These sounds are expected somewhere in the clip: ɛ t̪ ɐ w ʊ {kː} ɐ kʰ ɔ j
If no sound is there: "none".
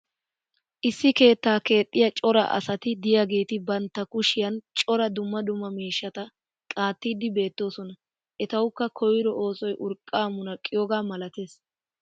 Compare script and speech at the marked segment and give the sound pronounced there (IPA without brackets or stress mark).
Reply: kː